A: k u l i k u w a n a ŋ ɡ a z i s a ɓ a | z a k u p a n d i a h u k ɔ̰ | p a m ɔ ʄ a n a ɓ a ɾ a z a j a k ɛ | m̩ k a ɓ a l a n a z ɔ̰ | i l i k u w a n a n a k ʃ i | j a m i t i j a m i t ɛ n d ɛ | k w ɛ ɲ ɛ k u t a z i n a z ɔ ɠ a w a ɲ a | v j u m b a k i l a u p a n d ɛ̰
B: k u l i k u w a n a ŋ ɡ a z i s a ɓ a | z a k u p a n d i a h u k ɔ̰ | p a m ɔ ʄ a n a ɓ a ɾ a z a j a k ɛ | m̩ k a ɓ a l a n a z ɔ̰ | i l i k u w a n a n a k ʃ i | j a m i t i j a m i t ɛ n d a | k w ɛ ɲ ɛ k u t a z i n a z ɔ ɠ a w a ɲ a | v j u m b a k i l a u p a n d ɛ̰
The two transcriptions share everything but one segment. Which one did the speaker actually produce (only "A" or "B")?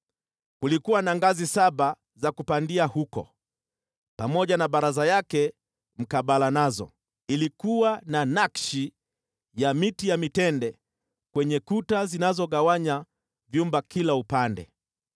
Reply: A